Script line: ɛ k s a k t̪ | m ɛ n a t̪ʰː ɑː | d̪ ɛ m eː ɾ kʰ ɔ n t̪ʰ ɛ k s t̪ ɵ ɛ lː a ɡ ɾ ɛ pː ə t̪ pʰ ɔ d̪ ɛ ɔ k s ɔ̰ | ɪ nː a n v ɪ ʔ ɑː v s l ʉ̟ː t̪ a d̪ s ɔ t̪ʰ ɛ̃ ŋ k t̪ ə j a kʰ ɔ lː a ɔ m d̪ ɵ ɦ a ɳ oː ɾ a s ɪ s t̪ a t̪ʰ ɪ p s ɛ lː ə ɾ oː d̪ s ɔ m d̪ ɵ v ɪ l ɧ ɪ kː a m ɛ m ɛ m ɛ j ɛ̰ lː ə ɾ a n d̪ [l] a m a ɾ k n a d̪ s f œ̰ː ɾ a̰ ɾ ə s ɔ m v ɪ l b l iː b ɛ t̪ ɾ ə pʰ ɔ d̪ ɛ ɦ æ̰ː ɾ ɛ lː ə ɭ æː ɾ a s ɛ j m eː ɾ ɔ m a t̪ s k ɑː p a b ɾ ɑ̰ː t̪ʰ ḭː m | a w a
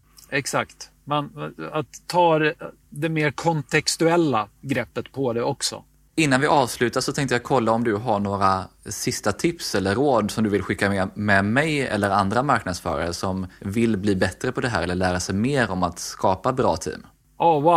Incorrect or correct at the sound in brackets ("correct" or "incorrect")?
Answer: incorrect